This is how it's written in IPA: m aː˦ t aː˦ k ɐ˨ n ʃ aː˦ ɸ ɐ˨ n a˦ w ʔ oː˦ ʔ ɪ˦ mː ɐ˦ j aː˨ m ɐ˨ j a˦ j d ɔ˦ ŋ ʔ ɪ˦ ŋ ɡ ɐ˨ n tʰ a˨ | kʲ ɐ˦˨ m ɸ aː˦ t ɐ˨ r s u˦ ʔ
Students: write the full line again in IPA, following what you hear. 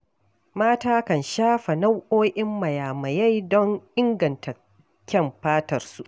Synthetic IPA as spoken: m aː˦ t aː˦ k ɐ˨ n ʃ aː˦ ɸ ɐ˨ n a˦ w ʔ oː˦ ʔ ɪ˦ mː ɐ˨ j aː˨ m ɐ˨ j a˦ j d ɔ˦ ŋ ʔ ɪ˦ ŋ ɡ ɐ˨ n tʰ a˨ | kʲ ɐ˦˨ m ɸ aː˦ t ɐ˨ r s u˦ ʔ